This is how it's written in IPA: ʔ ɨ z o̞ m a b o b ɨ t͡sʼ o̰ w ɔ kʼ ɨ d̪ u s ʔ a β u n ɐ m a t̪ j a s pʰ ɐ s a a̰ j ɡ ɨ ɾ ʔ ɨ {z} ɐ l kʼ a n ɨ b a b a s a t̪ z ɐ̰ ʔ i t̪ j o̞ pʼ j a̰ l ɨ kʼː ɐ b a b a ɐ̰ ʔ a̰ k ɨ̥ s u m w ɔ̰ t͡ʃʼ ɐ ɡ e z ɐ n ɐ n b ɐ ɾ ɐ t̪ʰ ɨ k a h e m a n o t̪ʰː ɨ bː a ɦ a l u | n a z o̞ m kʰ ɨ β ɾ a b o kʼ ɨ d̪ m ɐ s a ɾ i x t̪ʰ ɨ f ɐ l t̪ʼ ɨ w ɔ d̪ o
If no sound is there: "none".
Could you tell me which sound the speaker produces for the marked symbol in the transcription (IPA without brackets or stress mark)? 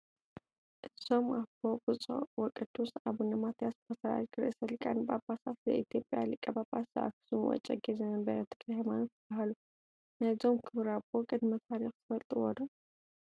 s